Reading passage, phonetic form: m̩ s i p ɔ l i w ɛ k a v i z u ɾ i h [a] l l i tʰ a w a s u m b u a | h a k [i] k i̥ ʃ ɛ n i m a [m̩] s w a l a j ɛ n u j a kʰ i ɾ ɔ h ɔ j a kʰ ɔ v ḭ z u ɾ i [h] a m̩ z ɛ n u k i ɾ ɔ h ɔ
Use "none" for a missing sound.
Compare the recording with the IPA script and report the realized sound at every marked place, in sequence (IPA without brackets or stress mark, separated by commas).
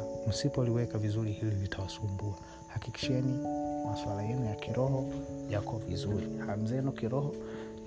i, i, none, h